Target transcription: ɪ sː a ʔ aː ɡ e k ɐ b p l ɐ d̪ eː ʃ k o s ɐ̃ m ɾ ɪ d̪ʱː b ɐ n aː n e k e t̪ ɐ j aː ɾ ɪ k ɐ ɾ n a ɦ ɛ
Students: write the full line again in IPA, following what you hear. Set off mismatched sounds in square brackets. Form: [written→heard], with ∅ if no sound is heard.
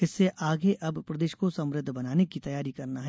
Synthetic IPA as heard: ɪ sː [a→e] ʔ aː ɡ e [k→ʔ] ɐ b p [l→ɾ] ɐ d̪ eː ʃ k o s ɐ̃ m ɾ ɪ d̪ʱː b ɐ n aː n e k [e→i] t̪ ɐ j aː ɾ [ɪ→i] k ɐ ɾ n a ɦ ɛ